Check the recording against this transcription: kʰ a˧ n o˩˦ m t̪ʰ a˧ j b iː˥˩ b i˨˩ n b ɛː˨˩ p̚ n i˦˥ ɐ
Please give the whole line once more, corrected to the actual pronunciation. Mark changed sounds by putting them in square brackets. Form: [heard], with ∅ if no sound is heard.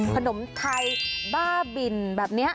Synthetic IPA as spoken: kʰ a˧ n o˩˦ m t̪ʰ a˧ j b [aː˥˩] b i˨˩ n b ɛː˨˩ p̚ n i˦˥ ɐ